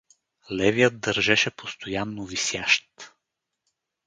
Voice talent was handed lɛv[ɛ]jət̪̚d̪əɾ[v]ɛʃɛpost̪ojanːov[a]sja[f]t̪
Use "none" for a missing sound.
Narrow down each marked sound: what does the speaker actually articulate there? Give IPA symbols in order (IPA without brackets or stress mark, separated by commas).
i, ʒ, i, ʃ